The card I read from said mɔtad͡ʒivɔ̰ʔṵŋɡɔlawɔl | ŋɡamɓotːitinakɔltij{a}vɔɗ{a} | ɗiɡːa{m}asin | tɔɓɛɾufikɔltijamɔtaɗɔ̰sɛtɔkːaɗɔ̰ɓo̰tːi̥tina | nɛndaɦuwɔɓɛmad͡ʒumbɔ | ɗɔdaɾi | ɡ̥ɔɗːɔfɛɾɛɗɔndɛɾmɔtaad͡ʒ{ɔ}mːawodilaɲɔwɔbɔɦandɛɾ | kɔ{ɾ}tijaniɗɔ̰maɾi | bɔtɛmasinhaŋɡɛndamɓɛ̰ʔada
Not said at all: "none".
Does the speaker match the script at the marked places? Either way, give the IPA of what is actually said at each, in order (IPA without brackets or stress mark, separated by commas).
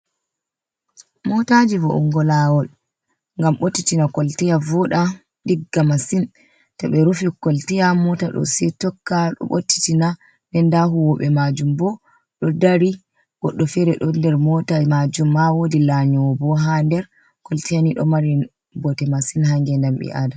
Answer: a, a, m, u, l